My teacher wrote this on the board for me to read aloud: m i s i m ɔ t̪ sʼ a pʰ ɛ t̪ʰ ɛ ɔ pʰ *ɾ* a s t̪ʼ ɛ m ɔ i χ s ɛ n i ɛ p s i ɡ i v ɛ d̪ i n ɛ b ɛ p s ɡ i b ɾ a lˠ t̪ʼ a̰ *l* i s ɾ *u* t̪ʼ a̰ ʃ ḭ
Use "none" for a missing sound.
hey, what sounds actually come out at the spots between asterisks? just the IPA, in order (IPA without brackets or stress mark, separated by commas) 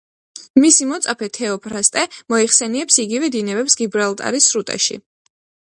ɾ, ɾ, u